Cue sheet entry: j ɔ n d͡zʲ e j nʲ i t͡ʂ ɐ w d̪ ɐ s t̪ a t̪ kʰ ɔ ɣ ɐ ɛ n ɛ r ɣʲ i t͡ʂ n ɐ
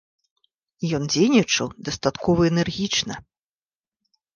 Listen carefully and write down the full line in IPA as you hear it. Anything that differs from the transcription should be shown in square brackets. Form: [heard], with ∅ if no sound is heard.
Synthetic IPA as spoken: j ɔ n d͡zʲ e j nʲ i t͡ʂ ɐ w d̪ ɐ s t̪ a t̪ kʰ ɔ [v] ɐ ɛ n ɛ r ɣʲ i t͡ʂ n ɐ